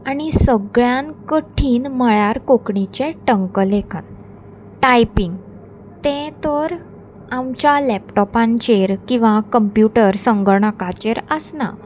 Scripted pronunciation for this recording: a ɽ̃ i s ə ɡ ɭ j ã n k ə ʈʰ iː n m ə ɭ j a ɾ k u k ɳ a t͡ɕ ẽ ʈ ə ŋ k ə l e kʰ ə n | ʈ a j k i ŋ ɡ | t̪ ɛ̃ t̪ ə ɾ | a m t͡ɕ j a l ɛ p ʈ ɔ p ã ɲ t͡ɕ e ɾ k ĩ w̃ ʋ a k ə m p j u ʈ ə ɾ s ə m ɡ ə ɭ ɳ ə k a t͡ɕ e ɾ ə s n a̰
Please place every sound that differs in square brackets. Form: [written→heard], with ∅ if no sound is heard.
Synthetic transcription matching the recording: a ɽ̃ i s ə ɡ ɭ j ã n k ə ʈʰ iː n m ə ɭ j a ɾ k [u→o] k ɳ [a→i] t͡ɕ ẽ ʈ ə ŋ k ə l e kʰ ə n | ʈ a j [k→p] i ŋ ɡ | t̪ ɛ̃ t̪ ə ɾ | a m t͡ɕ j a l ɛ p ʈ ɔ p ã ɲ t͡ɕ e ɾ k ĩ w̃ ʋ a k ə m p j u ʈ ə ɾ s ə [m→ŋ] ɡ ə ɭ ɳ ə k a t͡ɕ e ɾ ə s n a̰